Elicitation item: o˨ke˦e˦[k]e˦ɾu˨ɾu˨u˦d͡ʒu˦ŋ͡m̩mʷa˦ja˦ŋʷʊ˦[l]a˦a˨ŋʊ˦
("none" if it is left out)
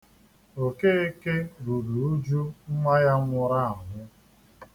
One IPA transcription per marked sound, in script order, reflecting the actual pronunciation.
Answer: k, ɾ

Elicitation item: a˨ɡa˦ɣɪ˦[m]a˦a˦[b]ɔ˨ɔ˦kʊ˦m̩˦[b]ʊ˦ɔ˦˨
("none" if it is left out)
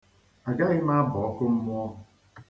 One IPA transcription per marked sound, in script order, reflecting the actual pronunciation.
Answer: m, b, m

